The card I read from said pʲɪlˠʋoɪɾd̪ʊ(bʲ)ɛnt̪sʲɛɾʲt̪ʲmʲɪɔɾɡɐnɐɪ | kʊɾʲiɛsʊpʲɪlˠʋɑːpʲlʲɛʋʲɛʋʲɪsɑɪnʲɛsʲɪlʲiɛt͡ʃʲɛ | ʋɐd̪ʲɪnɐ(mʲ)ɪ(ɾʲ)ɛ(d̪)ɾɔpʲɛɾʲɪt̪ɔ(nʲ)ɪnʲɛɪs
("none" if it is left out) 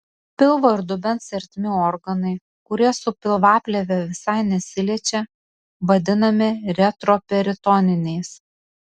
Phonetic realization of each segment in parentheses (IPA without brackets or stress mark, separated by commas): bʲ, mʲ, ɾʲ, t̪, nʲ